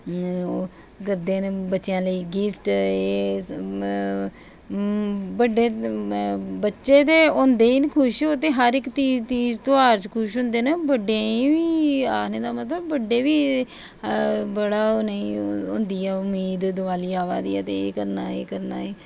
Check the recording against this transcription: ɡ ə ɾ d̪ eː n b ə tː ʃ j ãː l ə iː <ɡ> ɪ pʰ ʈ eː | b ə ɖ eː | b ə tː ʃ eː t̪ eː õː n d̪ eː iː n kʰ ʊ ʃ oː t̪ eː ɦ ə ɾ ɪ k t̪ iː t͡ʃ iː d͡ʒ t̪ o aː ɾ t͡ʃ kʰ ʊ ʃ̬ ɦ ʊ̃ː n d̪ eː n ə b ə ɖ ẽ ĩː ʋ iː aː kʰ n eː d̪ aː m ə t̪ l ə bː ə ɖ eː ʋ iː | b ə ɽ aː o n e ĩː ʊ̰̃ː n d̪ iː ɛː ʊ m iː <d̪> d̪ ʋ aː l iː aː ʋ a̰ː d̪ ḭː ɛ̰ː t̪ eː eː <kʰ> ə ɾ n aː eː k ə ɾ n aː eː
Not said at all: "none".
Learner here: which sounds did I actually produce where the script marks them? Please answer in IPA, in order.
ɡ, d̪, k

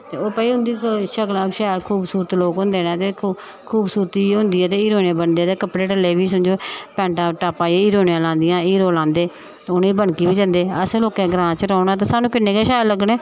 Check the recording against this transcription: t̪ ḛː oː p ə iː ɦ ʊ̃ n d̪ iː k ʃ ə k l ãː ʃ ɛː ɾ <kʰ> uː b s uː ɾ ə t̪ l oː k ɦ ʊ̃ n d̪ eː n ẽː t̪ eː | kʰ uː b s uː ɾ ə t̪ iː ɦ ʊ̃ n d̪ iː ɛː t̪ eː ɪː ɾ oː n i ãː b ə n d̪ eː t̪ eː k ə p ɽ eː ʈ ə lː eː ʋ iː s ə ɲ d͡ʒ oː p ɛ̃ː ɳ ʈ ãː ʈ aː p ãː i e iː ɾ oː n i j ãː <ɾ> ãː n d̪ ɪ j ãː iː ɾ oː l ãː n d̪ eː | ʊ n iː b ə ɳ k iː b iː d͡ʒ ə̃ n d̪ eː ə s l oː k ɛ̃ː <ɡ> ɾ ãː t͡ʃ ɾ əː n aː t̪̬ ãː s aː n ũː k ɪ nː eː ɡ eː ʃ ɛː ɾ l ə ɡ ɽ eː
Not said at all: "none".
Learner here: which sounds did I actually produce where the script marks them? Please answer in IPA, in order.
kʰ, l, ɡ

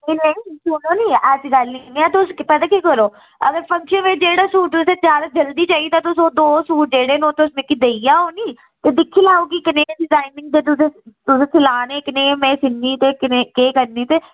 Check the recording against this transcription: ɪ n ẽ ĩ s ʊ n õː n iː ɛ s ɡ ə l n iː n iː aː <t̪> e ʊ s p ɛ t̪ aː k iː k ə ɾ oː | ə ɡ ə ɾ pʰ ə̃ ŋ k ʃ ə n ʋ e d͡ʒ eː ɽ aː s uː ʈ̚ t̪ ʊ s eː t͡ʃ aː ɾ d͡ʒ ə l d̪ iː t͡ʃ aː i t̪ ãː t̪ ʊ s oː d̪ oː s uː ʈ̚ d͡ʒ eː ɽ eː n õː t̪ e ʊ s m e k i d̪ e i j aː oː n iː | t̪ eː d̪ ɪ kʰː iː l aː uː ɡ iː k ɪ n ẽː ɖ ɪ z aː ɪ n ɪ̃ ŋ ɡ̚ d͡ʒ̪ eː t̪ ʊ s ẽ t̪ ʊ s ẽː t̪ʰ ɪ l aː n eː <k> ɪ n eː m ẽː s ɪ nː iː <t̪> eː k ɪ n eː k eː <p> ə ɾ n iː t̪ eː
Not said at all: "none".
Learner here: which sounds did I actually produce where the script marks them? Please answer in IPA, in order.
t̪, k, t̪, k

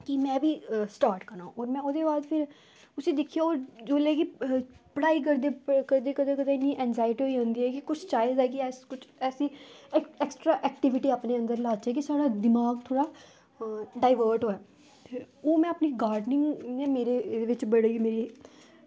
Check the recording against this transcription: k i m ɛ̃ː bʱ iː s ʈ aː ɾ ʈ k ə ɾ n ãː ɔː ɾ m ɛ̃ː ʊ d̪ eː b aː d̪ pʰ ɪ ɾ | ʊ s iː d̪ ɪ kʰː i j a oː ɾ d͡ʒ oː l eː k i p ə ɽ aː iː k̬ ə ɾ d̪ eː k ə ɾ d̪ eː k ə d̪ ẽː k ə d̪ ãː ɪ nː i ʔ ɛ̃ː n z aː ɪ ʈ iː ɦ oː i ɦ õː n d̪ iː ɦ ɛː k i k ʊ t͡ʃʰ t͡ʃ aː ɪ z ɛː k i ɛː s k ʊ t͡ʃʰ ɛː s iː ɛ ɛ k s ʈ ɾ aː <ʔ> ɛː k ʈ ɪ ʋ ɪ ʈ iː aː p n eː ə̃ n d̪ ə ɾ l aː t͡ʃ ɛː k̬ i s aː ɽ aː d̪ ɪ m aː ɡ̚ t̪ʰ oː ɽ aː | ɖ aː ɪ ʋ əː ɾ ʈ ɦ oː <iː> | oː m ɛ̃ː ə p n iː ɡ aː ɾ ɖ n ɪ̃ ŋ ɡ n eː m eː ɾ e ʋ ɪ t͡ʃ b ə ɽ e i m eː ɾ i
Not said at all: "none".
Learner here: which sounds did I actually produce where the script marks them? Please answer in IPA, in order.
ʔ, ɛː

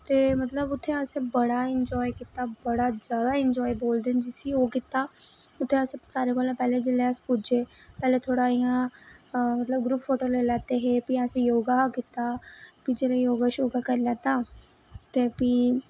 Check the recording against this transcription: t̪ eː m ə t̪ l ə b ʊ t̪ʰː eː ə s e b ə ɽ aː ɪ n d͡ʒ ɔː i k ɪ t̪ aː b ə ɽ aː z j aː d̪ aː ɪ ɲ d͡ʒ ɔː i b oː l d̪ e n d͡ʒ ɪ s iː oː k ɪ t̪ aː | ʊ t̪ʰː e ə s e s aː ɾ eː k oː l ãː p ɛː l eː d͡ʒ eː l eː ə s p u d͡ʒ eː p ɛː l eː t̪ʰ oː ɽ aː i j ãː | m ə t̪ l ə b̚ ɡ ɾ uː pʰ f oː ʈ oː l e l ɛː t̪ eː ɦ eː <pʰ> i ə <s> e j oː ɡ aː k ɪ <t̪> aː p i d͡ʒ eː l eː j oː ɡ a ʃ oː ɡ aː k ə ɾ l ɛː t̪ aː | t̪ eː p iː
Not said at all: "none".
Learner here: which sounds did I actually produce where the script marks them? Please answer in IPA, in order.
p, s, t̪

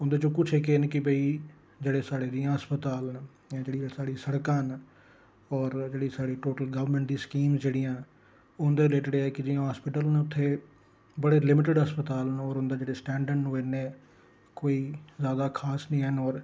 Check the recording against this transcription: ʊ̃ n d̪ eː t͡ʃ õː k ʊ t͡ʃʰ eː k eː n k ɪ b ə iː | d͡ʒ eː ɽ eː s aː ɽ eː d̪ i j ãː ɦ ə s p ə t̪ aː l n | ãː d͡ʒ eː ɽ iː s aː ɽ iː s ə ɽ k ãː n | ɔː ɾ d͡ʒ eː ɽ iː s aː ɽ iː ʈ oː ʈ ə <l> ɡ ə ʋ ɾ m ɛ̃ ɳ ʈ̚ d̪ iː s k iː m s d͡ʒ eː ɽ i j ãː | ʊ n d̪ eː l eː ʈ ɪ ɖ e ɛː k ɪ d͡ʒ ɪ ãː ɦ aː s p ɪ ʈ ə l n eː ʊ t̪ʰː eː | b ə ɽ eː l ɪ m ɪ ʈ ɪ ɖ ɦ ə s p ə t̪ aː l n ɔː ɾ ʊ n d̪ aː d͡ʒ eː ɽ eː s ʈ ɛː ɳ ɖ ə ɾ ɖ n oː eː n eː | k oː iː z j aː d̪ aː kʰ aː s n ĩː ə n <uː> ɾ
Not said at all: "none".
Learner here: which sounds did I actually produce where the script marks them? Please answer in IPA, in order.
l, ɔː

